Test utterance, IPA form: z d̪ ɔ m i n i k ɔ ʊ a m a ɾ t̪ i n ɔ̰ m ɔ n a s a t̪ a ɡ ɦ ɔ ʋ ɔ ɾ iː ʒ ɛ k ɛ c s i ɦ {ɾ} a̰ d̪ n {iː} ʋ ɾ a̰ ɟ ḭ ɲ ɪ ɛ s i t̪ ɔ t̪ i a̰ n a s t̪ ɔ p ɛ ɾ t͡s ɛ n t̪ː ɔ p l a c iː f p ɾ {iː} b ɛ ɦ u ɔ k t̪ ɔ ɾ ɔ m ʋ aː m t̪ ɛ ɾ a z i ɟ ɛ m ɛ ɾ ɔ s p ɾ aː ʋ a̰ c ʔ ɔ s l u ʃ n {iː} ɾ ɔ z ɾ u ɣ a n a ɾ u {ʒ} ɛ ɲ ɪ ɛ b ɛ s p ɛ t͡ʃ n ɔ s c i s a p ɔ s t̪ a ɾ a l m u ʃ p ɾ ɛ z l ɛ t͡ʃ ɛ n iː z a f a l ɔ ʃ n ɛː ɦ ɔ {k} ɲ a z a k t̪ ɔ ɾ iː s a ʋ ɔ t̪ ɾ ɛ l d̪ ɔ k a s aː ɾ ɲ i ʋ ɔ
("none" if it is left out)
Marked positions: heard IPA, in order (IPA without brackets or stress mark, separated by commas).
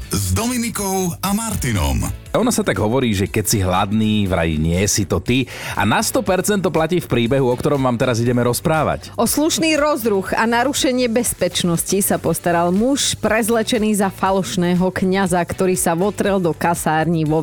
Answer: l, iː, iː, iː, ʃ, k